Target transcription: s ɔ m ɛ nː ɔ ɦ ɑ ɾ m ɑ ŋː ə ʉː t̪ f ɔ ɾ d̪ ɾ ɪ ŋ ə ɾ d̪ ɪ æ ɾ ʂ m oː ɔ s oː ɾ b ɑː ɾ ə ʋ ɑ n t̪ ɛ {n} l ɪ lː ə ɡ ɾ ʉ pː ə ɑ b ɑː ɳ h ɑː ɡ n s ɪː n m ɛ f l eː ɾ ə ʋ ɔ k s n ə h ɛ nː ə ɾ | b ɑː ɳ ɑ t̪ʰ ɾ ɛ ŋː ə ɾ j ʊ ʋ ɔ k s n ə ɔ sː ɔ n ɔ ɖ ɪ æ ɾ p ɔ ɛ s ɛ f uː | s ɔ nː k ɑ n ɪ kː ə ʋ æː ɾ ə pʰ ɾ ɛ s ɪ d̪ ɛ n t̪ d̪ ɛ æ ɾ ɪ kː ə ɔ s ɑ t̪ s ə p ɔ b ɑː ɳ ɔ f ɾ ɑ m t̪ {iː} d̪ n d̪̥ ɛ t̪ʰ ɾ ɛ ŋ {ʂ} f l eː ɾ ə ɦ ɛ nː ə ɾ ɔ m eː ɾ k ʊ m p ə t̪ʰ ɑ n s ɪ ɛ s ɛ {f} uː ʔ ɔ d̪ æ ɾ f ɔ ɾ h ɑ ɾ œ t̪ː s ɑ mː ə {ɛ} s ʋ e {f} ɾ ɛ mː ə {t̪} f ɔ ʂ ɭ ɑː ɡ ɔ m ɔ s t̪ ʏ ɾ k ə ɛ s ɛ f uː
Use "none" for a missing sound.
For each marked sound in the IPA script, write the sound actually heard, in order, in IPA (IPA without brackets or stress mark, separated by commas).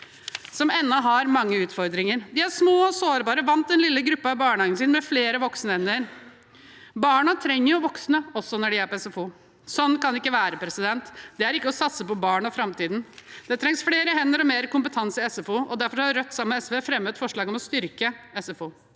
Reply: n, iː, s, f, ɛ, f, t̪